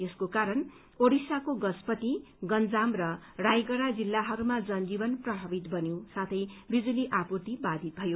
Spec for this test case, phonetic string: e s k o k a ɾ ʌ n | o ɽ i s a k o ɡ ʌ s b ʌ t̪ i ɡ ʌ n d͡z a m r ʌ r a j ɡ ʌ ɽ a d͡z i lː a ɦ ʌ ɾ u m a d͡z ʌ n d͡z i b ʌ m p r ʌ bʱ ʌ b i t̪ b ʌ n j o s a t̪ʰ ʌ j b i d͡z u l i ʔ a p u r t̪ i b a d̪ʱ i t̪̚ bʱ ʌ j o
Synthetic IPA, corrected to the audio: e s k o k a ɾ ʌ n | o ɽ i s a k o ɡ ʌ s p ʌ t̪ i ɡ ʌ n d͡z a m r ʌ r a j ɡ ʌ ɽ a d͡z i lː a ɦ ʌ ɾ u m a d͡z ʌ n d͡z i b ʌ n p r ʌ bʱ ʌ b i t̪ b ʌ n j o s a t̪ʰ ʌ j b i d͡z u l i ʔ a p u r t̪ i b a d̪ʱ i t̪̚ bʱ ʌ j o